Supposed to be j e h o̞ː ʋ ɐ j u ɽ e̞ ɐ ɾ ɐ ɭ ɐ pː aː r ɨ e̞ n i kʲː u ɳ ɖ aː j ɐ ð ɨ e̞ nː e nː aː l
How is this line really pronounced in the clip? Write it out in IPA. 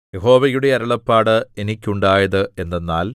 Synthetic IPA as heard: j e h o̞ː ʋ ɐ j u ɽ e̞ ɐ ɾ ɐ ɭ ɐ pː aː ɽ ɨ e̞ n i kʲː u ɳ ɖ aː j ɐ ð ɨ e̞ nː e nː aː l

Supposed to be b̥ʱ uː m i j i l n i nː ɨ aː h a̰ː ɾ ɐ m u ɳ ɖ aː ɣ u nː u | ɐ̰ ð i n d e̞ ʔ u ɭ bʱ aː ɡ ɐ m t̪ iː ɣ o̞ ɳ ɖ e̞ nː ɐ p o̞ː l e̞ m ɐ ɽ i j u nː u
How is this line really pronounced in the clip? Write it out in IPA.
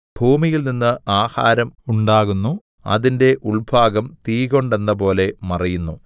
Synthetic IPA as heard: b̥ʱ uː m i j i l n i nː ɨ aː h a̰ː ɾ ɐ m u ɳ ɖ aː ɣ u nː u | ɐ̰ ð i n d e̞ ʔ u ɭ bʱ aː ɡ ɐ m t̪ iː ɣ o̞ ɳ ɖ e̞ nː ɐ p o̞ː l e̞ m ɐ r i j u nː u

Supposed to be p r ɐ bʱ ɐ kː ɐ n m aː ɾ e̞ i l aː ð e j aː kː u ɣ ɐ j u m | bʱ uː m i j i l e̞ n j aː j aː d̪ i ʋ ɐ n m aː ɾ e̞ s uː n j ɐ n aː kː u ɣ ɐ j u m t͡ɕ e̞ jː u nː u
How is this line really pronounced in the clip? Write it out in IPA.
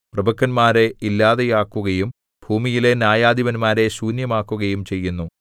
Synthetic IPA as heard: p r ɐ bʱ ɐ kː ɐ n m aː ɾ e̞ i lː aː ð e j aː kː u ɣ ɐ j u m | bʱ uː m i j i l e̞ n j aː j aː d̪ i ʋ ɐ n m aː ɾ e̞ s uː n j ɐ m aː kː u ɣ ɐ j u m t͡ɕ e̞ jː u nː u

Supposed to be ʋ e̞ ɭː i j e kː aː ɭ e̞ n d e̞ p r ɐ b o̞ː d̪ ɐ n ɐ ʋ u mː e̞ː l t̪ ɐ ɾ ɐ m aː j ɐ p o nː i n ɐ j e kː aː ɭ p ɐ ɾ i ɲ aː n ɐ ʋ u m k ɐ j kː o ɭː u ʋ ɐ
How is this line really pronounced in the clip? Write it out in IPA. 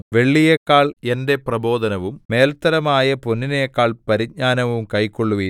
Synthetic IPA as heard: ʋ e̞ ɭː i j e kː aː ɭ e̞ n d e̞ p r ɐ b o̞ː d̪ ɐ n ɐ ʋ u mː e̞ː l t̪ ɐ ɾ ɐ m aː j ɐ p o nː i n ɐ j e kː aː ɭ p ɐ ɾ i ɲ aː n ɐ ʋ u m k ɐ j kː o ɭː u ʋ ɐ

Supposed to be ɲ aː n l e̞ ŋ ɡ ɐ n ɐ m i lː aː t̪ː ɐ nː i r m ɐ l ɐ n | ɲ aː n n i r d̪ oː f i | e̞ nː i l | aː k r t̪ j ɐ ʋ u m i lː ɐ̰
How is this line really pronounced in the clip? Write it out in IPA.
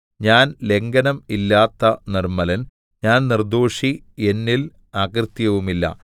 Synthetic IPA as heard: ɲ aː n l e̞ ŋ ɡ ɐ n ɐ m i lː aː t̪ː ɐ n i r m ɐ l ɐ n | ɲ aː n n i r d̪ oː ʂ i | e̞ nː i l | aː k r t̪ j ɐ ʋ u m i lː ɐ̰

